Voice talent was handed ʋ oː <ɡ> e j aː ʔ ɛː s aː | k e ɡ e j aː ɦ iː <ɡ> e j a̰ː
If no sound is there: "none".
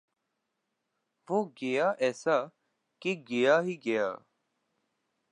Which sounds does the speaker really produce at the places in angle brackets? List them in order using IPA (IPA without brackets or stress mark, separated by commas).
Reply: ɡ, ɡ